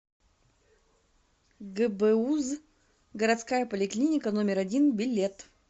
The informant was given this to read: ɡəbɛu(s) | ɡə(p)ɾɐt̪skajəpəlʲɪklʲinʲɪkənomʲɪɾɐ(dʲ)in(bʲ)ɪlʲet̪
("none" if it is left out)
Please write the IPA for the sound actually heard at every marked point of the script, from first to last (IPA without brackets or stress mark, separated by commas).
z, none, dʲ, bʲ